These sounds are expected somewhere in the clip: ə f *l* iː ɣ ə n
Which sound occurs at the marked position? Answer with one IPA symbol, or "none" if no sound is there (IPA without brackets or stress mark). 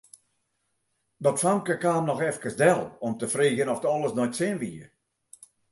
r